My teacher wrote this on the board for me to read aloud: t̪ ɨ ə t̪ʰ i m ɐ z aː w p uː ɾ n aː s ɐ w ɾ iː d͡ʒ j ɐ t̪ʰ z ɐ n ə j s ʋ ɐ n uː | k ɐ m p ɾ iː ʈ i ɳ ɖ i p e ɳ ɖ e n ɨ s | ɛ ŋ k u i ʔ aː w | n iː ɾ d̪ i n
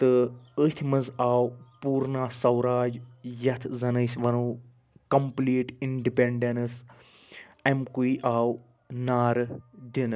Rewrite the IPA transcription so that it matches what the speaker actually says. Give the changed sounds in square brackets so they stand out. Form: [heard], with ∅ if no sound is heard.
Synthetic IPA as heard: t̪ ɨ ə t̪ʰ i m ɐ z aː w p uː ɾ n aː s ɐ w ɾ [aː] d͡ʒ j ɐ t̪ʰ z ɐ n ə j s ʋ ɐ n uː | k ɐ m p [l] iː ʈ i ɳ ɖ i p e ɳ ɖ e n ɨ s | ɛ [m] k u i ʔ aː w | n [aː] ɾ d̪ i n